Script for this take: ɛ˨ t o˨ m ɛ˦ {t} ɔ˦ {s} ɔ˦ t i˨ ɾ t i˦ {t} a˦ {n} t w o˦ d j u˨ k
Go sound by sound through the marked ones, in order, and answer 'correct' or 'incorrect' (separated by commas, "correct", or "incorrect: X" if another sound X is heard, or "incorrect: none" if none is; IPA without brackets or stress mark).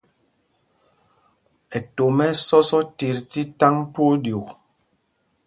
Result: incorrect: s, correct, correct, incorrect: ŋ